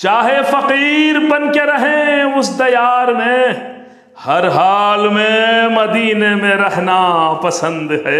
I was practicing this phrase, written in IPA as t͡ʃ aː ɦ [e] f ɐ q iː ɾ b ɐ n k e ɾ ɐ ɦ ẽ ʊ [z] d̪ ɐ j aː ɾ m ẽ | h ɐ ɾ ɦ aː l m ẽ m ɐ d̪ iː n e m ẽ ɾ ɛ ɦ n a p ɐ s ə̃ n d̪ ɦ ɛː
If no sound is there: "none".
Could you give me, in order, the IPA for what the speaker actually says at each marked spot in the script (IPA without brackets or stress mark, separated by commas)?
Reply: e, s